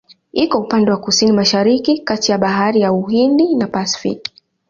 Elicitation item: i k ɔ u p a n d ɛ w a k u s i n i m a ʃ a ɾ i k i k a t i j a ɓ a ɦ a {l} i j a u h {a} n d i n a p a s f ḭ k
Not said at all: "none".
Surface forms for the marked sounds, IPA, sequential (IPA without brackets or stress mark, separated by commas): ɾ, i